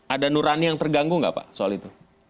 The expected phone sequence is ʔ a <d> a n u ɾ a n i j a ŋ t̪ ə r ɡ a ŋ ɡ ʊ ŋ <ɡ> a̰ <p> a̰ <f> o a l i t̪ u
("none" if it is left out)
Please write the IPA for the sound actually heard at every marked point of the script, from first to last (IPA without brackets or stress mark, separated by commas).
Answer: d, ɡ, p, s